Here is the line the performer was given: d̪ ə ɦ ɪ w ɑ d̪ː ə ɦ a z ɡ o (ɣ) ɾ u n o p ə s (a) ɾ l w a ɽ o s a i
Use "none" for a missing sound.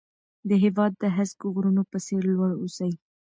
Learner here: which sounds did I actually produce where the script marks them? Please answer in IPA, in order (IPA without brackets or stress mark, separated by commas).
ɣ, e